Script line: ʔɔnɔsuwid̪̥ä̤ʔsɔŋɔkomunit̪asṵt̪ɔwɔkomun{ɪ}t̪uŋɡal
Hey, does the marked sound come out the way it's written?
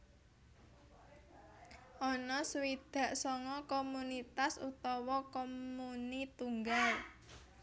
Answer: no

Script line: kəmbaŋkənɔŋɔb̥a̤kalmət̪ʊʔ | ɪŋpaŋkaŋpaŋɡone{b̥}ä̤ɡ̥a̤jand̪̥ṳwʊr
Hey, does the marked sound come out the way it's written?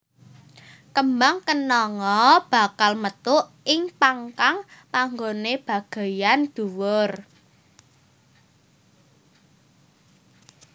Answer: yes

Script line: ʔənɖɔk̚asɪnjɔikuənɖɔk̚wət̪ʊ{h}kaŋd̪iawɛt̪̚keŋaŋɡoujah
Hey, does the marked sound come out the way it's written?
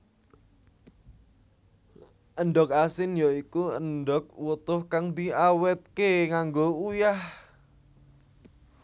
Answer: yes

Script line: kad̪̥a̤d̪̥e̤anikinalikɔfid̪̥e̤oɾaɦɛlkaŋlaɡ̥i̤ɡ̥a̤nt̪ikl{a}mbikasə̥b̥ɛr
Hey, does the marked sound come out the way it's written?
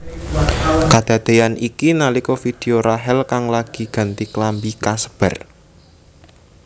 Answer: yes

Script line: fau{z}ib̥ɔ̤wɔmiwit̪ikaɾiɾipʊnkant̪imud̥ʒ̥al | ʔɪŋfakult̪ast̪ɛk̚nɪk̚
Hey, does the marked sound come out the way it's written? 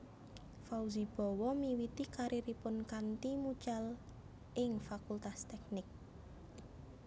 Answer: yes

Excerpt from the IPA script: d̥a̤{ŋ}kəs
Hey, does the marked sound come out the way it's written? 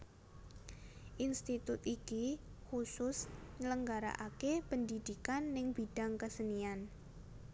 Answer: yes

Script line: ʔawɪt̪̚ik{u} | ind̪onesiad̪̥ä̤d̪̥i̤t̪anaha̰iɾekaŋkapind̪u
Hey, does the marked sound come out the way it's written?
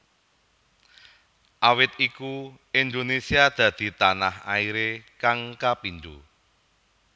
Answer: yes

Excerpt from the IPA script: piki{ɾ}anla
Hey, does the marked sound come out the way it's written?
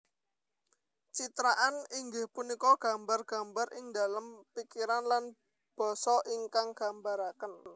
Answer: yes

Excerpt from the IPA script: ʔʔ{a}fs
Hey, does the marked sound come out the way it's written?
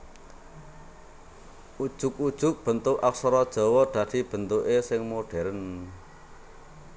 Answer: yes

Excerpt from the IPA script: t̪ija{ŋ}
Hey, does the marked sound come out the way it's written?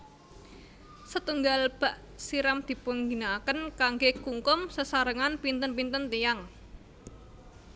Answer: yes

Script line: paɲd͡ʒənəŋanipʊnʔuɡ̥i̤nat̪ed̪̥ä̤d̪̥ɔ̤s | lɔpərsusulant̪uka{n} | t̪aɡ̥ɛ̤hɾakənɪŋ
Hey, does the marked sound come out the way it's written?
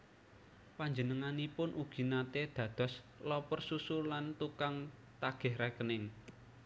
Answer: no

